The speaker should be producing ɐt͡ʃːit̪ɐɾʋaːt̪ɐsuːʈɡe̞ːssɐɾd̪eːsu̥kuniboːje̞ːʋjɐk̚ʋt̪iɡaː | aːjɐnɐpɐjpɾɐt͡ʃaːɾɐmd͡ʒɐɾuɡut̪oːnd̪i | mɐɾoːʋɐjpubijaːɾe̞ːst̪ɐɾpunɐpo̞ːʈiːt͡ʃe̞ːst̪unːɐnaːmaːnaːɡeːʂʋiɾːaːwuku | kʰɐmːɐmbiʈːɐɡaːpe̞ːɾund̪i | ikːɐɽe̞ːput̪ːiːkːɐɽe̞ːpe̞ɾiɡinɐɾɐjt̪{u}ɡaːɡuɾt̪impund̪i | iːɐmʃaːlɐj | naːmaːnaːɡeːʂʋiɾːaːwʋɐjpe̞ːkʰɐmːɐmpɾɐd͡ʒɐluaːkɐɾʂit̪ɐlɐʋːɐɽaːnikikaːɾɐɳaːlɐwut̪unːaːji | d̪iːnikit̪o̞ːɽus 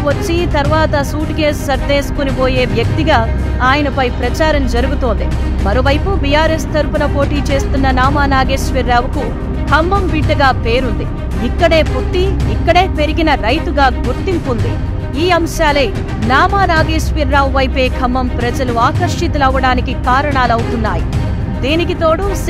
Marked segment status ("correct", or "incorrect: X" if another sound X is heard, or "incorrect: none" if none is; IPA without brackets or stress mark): correct